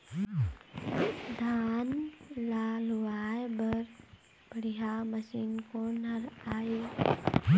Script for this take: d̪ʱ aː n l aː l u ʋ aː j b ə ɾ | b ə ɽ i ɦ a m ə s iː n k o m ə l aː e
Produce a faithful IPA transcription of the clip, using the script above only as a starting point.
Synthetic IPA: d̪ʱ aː n l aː l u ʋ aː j b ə ɾ | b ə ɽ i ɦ a m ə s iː n k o n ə ɾ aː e